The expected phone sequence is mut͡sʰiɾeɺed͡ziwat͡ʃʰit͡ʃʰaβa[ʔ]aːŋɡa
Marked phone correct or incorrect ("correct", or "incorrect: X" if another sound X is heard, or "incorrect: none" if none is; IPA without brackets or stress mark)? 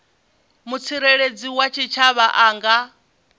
correct